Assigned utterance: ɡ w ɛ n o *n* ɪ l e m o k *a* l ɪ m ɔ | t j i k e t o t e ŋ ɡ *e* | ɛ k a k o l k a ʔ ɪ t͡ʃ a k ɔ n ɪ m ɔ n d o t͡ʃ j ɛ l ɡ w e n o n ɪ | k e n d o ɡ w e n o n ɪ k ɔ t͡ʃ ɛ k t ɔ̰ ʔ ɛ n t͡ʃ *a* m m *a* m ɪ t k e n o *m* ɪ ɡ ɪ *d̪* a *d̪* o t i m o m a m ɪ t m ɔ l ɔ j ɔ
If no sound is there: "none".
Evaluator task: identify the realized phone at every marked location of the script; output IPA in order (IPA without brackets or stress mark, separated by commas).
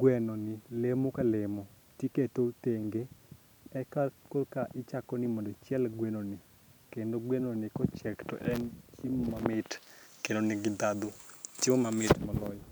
n, a, e, i, a, n, d̪, d̪